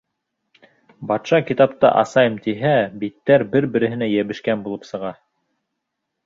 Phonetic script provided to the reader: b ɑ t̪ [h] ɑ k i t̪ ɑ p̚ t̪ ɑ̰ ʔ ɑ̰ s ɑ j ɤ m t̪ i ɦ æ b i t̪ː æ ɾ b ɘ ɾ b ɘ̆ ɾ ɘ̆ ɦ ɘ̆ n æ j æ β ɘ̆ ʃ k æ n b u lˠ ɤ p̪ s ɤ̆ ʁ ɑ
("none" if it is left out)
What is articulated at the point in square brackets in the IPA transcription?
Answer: ʃ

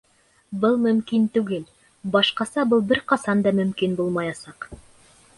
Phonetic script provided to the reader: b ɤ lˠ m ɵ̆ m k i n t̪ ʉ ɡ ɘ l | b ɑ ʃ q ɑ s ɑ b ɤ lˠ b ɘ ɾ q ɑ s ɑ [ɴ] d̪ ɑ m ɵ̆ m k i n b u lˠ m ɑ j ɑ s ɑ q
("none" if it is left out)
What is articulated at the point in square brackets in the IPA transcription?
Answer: n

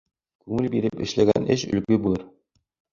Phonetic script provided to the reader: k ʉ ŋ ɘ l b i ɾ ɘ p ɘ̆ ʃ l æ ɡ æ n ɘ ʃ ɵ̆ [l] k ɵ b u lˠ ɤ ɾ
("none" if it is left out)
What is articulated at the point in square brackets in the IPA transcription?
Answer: l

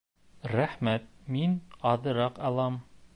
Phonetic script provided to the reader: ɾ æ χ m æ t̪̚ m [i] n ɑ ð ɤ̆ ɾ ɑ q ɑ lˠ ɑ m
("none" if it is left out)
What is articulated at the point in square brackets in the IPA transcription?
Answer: i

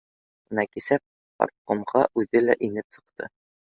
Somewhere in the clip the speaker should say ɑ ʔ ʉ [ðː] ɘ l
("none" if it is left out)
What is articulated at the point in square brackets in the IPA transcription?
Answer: ð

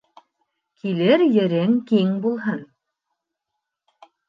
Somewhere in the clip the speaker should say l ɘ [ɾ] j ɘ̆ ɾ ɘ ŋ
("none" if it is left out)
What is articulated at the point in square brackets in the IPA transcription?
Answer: ɾ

